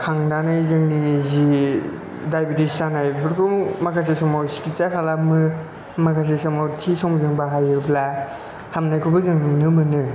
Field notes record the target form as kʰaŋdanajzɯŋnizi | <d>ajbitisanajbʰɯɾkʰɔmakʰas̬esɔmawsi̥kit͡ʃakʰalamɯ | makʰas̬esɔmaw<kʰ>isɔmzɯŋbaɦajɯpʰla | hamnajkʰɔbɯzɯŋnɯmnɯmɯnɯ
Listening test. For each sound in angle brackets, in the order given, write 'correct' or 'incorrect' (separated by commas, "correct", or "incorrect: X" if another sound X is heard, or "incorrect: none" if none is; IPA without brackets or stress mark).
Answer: correct, incorrect: tʰ